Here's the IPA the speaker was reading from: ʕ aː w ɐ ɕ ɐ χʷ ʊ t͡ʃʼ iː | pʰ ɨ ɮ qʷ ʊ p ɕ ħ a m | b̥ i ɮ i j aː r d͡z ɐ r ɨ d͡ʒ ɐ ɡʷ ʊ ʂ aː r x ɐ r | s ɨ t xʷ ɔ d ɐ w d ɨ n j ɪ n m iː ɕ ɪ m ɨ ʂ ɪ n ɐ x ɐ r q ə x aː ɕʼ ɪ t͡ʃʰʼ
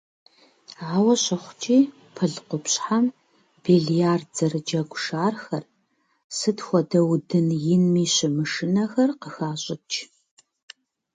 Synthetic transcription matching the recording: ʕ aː w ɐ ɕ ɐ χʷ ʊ t͡ʃʼ iː | pʰ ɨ ɮ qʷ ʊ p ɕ ħ a m | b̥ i ɮ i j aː r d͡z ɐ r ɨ d͡ʒ ɐ ɡʷ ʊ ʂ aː r x ɐ r | s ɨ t xʷ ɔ d ɐ w d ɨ n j ɪ n m iː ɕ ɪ m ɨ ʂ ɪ n ɐ x ɐ r q ə x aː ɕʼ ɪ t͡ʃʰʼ